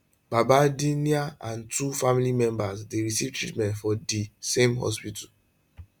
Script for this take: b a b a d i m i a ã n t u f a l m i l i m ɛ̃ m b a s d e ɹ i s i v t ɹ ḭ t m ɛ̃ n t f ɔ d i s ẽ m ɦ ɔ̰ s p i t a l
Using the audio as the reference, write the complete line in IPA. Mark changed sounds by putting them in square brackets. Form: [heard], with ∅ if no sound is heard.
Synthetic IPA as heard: b a b a d i [n] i a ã n t u f a [∅] m i l i m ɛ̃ m b a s d e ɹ i s i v t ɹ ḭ t m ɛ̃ n t f ɔ d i s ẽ m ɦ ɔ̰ s p i t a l